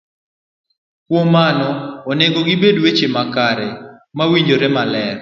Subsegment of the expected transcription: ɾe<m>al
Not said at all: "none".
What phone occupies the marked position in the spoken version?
m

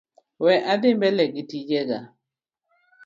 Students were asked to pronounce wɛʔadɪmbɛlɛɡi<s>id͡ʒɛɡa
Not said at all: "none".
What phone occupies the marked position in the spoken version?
t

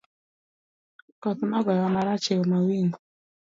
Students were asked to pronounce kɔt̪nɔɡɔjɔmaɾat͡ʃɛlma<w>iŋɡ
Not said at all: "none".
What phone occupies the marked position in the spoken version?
w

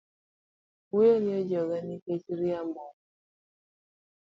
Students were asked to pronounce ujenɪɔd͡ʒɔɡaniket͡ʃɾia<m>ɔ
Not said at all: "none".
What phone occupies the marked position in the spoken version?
m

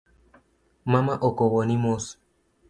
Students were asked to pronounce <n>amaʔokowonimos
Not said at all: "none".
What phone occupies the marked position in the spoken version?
m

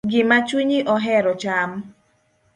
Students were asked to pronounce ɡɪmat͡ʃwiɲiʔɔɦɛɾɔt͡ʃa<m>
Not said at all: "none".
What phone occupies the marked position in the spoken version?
m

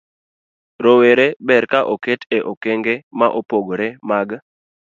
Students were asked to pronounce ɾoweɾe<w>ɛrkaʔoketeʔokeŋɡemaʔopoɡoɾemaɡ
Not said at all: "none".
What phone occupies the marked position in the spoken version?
b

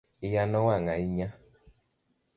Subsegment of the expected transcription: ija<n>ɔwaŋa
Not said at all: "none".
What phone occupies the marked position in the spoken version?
n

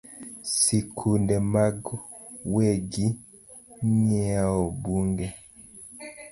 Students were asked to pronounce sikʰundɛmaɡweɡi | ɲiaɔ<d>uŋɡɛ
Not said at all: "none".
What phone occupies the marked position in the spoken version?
b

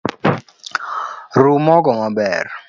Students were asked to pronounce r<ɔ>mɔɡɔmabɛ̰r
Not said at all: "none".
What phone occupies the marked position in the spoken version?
u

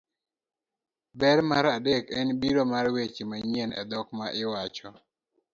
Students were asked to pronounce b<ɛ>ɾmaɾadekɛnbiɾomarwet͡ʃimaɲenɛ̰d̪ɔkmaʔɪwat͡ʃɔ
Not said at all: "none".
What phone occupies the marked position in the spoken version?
ɛ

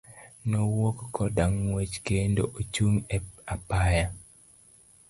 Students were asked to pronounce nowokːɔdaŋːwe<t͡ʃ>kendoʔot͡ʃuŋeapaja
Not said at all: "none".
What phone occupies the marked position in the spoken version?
t͡ʃ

